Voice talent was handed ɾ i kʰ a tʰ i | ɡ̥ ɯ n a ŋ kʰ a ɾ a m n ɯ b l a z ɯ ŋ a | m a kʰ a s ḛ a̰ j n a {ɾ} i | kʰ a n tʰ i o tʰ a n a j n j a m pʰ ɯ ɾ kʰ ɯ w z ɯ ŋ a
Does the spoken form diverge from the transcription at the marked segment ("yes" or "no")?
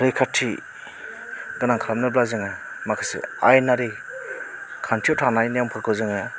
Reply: no